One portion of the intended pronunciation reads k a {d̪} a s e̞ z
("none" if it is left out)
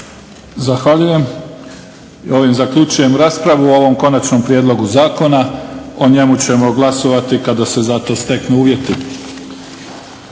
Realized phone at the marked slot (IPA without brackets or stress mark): d̪